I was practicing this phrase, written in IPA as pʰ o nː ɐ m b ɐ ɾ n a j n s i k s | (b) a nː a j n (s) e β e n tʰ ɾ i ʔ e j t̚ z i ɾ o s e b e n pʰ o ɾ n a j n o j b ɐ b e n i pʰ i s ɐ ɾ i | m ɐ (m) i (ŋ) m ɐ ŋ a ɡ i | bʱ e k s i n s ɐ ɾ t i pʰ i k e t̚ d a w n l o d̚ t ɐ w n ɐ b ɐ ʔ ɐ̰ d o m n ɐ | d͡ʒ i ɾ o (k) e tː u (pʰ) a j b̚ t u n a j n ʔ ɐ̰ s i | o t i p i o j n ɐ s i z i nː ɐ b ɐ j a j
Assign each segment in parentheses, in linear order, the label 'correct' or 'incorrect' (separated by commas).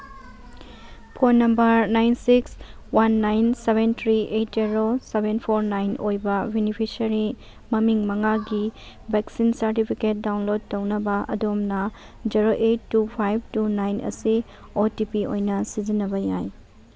incorrect, correct, correct, correct, incorrect, correct